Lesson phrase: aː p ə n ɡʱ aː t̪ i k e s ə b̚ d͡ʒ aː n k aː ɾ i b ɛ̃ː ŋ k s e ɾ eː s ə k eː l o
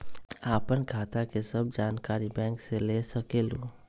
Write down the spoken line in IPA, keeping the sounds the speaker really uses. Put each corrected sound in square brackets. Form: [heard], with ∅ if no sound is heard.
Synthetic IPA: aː p ə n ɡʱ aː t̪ [a] k e s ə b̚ d͡ʒ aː n k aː ɾ i b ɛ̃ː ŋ k s e [l] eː s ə k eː l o